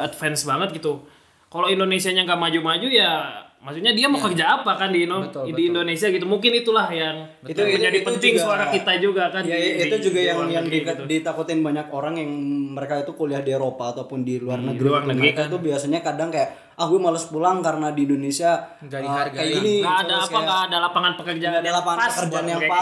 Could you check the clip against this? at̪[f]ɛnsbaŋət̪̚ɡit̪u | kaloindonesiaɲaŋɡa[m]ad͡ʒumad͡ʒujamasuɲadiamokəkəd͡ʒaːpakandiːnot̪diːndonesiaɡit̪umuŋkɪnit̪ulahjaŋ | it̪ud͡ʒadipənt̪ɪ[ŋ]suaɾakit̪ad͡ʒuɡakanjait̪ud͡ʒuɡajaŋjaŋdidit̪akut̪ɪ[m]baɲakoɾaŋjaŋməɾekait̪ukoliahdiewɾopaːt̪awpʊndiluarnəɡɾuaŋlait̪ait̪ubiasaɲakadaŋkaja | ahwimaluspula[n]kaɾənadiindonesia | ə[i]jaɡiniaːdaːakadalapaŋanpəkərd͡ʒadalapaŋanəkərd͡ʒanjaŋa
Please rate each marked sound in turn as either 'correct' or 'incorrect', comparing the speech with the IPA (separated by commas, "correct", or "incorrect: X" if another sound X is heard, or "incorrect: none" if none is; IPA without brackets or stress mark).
correct, correct, correct, incorrect: n, incorrect: ŋ, incorrect: a